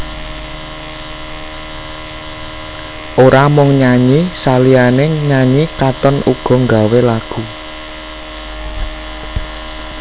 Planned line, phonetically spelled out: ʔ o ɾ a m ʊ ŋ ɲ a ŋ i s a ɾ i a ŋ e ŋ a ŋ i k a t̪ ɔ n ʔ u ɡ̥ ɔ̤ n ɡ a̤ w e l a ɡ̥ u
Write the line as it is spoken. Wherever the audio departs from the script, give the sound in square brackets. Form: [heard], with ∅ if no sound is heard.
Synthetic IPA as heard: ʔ o ɾ a m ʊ ŋ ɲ a [ɲ] i s a [l] i a [n] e [ɲ] a [ɲ] i k a t̪ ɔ n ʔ u ɡ̥ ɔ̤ [ŋ] ɡ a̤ w e l a ɡ̥ u